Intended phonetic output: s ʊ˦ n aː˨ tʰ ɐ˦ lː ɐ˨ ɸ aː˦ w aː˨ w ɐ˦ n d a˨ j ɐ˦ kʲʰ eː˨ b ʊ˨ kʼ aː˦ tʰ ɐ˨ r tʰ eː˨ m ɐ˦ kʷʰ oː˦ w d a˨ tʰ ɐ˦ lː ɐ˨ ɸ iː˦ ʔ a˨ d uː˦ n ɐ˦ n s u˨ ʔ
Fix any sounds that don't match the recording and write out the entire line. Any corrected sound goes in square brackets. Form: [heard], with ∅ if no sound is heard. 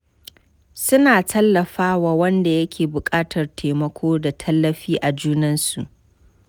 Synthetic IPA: s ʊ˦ n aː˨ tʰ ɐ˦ lː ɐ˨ ɸ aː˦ w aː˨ w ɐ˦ n d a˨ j ɐ˦ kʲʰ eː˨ b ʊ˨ kʼ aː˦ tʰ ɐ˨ r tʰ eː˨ m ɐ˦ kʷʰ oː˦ [∅] d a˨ tʰ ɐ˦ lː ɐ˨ ɸ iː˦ ʔ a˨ [d͡ʒ] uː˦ n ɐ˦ n s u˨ ʔ